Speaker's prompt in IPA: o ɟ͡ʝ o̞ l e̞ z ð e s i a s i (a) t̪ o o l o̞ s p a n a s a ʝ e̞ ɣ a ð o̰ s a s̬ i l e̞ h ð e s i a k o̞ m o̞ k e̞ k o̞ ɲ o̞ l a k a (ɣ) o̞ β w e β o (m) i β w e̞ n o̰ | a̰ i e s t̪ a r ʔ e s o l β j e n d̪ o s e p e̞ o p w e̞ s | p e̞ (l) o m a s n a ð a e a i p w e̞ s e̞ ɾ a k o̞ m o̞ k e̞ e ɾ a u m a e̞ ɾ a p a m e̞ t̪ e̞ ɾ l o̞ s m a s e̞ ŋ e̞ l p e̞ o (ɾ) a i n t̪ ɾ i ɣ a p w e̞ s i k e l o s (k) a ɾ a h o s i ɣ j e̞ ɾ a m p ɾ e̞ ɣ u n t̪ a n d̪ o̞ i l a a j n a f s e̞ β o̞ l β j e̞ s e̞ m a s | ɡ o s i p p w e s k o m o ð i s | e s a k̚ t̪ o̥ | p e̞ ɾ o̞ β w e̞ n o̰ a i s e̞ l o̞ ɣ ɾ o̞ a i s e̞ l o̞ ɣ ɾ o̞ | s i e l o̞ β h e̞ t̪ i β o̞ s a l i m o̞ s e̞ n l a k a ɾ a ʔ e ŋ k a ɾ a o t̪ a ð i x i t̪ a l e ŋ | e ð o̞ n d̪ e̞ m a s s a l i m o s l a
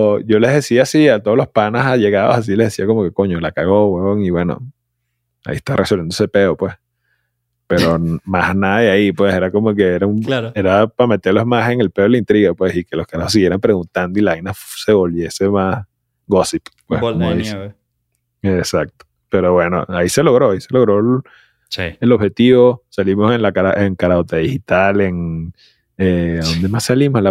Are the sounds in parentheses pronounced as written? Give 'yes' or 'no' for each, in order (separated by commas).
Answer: yes, yes, no, no, no, yes